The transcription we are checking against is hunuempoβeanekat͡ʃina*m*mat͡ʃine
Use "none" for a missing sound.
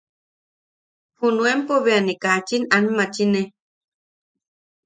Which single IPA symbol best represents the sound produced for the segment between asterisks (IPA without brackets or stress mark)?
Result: n